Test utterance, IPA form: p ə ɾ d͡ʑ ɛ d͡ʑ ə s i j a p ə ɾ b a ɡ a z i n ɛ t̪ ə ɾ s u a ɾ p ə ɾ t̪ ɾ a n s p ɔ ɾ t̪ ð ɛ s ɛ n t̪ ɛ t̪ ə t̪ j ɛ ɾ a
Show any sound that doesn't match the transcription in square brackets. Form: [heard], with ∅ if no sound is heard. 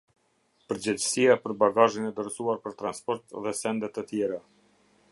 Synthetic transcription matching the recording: p ə ɾ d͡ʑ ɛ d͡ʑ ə s i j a p ə ɾ b a ɡ a [ʒ] i n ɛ [d̪] ə ɾ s u a ɾ p ə ɾ t̪ ɾ a n s p ɔ ɾ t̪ ð ɛ s ɛ n [d̪] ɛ t̪ ə t̪ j ɛ ɾ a